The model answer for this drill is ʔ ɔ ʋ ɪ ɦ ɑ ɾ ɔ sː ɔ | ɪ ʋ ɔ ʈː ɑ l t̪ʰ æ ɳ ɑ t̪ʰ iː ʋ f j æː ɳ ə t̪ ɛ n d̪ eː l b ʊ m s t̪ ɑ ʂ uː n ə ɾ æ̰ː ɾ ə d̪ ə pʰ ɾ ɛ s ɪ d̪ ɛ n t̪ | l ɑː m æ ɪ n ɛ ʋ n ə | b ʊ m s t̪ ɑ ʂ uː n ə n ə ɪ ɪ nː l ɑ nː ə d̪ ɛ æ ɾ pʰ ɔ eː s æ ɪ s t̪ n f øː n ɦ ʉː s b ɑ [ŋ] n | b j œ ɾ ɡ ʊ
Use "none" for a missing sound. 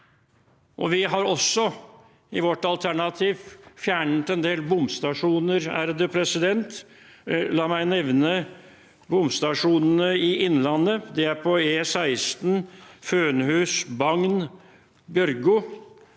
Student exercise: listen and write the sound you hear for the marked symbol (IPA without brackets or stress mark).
ŋ